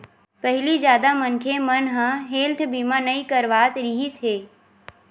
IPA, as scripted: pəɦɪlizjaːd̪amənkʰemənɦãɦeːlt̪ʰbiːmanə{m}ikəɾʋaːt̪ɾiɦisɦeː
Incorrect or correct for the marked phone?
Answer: incorrect: none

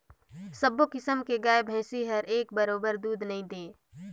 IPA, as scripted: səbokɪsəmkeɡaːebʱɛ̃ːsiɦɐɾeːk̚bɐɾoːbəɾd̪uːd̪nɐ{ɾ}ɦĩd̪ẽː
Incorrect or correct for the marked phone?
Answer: incorrect: none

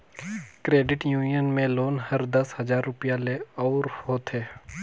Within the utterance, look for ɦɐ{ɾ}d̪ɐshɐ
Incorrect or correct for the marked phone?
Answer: correct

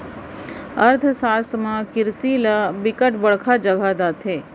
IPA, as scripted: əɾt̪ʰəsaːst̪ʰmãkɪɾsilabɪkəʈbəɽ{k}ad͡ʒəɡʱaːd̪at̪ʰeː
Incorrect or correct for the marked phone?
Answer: incorrect: kʰ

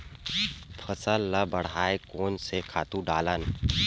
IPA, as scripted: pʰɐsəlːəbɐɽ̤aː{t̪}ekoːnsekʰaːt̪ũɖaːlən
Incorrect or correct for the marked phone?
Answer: incorrect: none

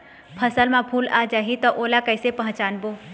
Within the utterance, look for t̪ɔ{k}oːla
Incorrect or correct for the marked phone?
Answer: incorrect: ʔ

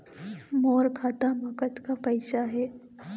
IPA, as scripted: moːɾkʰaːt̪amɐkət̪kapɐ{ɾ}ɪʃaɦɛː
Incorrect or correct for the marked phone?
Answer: incorrect: none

